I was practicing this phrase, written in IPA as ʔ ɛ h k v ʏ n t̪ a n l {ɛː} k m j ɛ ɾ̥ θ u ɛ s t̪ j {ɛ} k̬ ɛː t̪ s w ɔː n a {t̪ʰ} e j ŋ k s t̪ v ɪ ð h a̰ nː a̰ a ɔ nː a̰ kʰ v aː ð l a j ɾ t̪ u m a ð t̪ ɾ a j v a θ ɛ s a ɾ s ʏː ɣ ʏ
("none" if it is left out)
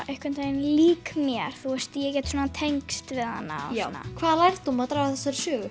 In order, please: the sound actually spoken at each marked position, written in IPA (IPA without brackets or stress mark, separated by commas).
iː, ɛ, t̪ʰ